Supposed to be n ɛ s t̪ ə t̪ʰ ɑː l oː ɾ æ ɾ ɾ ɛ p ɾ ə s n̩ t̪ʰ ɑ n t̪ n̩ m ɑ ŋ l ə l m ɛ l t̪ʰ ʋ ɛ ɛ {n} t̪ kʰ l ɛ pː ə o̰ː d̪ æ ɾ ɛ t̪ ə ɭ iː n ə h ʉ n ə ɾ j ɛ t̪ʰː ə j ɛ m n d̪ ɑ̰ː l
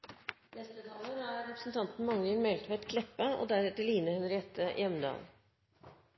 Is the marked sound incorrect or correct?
incorrect